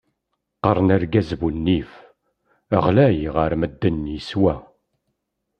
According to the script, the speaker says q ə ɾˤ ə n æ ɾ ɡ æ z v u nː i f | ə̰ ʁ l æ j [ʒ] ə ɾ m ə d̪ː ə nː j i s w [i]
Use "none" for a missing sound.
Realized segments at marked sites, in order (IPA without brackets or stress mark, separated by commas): ʁ, æ